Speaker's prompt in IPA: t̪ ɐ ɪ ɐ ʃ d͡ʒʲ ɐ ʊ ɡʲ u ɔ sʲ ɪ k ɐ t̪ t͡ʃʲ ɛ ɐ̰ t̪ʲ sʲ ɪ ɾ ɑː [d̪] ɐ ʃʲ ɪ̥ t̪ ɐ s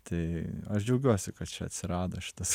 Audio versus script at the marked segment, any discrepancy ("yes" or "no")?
no